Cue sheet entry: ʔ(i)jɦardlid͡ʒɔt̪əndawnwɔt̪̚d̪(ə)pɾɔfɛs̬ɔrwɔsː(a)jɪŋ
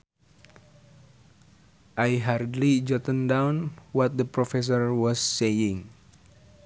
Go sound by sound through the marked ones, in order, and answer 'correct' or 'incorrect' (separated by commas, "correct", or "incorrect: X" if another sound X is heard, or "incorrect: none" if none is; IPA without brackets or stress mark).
incorrect: a, correct, incorrect: e